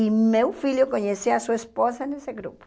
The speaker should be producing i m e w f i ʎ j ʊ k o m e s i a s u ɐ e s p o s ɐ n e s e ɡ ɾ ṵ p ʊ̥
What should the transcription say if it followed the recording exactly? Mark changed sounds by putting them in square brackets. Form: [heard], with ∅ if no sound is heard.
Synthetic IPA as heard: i m e w f i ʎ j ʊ k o [ɲ] e s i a s u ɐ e s p o s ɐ n e s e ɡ ɾ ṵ p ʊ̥